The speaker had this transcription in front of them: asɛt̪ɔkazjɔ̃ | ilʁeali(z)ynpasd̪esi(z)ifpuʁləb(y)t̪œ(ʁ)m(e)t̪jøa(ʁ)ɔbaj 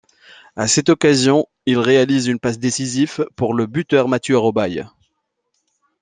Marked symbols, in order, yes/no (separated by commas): yes, yes, yes, yes, no, yes